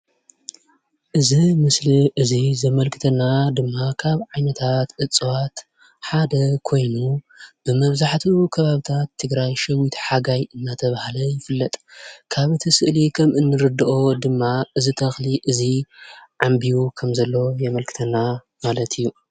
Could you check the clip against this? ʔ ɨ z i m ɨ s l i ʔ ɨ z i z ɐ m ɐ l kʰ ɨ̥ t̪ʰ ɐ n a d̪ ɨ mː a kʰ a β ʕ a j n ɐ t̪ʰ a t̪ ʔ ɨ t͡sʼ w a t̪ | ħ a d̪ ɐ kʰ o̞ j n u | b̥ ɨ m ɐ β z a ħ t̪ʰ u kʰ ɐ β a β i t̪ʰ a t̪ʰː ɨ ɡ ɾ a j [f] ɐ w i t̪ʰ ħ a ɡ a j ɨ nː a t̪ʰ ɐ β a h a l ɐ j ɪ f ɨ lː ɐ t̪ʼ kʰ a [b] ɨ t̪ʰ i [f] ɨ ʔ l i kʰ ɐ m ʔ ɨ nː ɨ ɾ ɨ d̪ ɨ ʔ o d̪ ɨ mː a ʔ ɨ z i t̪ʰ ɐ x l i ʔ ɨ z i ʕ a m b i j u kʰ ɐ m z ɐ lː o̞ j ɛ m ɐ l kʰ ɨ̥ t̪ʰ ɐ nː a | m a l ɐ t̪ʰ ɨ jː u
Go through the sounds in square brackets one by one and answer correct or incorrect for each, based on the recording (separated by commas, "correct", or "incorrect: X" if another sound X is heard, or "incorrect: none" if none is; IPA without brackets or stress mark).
incorrect: ʃ, incorrect: β, incorrect: s